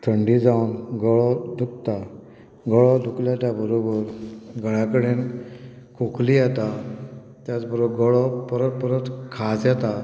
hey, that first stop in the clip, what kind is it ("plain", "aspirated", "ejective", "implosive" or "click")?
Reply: aspirated